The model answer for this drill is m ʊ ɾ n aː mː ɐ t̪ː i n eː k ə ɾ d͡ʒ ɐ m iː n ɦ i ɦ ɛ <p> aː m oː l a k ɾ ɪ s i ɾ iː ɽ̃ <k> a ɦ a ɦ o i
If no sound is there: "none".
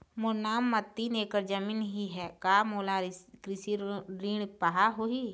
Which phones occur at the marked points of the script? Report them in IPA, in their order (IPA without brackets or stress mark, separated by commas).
k, p